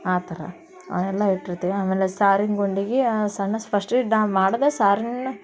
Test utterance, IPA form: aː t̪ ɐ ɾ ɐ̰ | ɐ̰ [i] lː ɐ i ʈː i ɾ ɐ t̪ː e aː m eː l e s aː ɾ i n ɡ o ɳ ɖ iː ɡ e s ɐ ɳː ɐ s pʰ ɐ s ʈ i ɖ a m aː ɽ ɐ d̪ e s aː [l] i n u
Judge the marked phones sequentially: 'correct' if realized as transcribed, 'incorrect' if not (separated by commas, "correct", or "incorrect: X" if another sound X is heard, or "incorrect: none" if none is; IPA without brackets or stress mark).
incorrect: ɛ, incorrect: ɾ